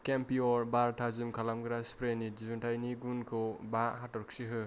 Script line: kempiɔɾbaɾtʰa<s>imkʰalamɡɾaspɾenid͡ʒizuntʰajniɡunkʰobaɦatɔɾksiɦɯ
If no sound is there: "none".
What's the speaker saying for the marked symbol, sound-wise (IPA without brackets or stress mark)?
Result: z